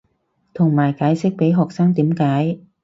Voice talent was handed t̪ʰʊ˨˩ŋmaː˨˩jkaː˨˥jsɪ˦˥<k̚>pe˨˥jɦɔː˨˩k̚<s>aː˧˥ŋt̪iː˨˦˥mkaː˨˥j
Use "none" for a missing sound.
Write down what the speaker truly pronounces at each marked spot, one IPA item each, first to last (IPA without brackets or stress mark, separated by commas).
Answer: k̚, s